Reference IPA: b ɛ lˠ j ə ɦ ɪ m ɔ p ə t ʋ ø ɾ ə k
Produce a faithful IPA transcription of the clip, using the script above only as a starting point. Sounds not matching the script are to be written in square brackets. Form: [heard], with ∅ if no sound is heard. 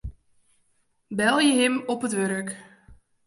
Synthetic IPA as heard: b ɛ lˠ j ə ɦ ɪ m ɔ p ə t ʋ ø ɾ ə k